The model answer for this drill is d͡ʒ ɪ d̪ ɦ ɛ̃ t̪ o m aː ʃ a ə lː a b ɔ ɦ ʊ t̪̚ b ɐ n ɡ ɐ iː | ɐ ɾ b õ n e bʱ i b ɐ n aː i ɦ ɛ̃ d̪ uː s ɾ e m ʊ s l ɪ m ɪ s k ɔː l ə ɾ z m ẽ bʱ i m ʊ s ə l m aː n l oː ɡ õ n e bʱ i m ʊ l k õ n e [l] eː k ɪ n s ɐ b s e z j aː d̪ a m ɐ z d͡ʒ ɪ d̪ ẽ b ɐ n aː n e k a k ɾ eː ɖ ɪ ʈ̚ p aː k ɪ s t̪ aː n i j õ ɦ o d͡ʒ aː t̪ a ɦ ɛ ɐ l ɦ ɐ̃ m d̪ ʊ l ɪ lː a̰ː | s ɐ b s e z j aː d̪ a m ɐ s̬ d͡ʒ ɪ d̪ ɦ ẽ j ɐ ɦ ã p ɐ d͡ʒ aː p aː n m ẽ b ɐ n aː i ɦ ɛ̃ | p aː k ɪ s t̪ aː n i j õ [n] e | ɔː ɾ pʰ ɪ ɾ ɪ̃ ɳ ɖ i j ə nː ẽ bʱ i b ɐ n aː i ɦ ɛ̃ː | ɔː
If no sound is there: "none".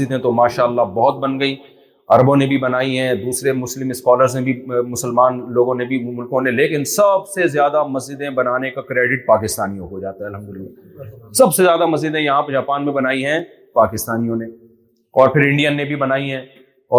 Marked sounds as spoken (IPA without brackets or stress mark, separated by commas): l, n